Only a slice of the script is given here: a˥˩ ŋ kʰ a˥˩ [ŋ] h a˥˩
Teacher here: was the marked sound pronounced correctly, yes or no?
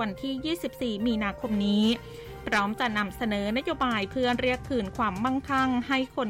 yes